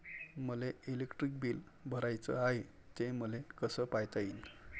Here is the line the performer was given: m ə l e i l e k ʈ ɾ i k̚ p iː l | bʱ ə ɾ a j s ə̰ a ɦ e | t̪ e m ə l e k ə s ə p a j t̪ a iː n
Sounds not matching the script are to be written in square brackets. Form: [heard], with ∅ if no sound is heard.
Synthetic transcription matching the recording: m ə l e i l e k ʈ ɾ i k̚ [b] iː l | bʱ ə ɾ a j [t͡s] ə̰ a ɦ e | t̪ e m ə l e k ə s ə p a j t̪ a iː n

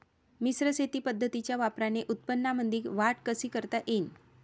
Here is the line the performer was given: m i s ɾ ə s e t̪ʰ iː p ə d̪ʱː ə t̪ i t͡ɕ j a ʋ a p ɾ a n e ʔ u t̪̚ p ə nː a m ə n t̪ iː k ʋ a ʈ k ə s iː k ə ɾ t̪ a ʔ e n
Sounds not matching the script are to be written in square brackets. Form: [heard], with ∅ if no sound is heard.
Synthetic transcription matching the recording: m i s ɾ ə s e [t̪] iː p ə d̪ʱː ə t̪ i t͡ɕ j a ʋ a p ɾ a n e ʔ u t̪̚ p ə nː a m ə n [d̪] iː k ʋ a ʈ k ə s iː k ə ɾ t̪ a ʔ e n

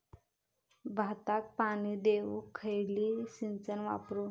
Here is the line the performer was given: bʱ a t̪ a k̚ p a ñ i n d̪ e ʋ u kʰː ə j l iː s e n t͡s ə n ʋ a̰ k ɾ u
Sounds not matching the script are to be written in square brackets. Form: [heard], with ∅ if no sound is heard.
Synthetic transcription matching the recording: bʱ a t̪ a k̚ p a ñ i [∅] d̪ e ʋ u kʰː ə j l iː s [i] n t͡s ə n ʋ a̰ [p] ɾ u

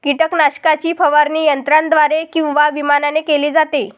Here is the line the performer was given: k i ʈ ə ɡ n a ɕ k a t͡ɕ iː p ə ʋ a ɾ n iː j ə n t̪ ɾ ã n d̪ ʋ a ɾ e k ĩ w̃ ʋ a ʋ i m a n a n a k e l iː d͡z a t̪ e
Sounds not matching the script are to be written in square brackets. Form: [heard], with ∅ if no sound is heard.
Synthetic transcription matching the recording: k i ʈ ə [k] n a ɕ k a t͡ɕ iː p ə ʋ a ɾ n iː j ə n t̪ ɾ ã n d̪ ʋ a ɾ e k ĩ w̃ ʋ a ʋ i m a n a n [e] k e l iː d͡z a t̪ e

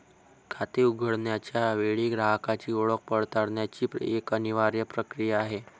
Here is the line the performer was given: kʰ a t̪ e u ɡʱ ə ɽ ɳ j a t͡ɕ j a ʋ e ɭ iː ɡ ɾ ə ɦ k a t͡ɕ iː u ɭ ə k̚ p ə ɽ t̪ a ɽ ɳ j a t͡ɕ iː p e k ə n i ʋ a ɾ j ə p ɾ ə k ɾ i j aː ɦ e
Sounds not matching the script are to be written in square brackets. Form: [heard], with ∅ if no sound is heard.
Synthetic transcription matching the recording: kʰ a t̪ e u ɡʱ ə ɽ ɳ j a t͡ɕ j a ʋ e ɭ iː ɡ ɾ [a] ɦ k a t͡ɕ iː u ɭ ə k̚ p ə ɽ t̪ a ɽ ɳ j a t͡ɕ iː p e k ə n i ʋ a ɾ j ə p ɾ ə k ɾ i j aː ɦ e

